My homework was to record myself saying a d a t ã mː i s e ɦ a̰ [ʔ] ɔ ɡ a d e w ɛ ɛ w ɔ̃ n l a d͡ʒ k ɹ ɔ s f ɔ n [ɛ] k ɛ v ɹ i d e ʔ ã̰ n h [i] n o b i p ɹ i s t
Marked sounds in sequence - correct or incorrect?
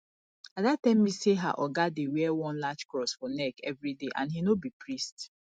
correct, correct, correct

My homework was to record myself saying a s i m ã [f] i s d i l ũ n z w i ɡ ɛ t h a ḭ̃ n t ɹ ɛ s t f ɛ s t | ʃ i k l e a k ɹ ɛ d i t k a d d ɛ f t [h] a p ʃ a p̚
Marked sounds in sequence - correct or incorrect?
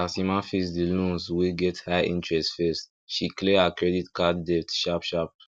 correct, incorrect: ʃ

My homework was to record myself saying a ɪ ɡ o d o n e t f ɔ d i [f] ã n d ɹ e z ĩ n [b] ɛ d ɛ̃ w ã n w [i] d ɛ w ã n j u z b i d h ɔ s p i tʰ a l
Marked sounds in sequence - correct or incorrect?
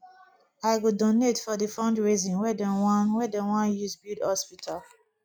correct, incorrect: w, incorrect: ɛ

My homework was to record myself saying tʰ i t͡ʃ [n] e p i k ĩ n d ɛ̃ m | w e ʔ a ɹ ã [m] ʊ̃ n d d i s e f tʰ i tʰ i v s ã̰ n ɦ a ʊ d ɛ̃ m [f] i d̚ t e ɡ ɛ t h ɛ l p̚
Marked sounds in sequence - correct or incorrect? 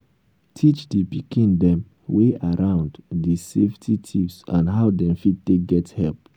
incorrect: d, incorrect: none, correct

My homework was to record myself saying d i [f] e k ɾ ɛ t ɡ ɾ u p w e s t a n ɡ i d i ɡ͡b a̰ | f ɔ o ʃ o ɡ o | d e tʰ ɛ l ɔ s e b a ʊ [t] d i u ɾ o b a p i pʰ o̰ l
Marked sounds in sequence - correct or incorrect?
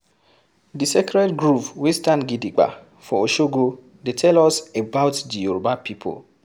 incorrect: s, correct

